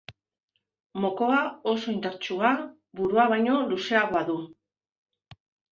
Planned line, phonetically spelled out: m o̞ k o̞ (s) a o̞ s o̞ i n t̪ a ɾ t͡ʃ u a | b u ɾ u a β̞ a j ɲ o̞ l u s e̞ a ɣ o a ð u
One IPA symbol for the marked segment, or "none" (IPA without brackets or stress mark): none